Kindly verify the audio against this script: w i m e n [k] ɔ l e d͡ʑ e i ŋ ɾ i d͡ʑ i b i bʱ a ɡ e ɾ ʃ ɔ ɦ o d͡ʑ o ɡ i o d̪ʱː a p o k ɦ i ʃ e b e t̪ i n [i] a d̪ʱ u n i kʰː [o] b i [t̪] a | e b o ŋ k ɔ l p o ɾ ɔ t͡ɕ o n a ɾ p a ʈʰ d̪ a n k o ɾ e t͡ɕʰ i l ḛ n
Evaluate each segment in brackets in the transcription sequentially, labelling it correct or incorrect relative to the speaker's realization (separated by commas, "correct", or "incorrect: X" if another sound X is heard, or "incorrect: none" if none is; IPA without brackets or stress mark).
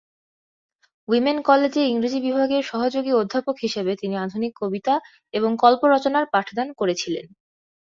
correct, correct, correct, correct